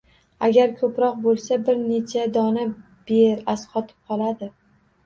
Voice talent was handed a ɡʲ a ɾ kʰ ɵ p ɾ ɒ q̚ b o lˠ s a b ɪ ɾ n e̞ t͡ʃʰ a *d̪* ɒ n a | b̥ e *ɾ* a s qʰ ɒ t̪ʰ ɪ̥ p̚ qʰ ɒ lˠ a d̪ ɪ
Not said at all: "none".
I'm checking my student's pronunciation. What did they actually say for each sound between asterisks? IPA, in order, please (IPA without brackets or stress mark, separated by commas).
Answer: d̪, ɾ